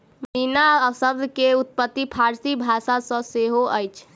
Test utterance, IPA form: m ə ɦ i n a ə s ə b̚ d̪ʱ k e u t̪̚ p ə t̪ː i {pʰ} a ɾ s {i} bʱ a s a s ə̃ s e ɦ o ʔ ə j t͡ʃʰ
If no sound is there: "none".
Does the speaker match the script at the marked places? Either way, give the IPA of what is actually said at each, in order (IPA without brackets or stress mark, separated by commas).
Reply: pʰ, i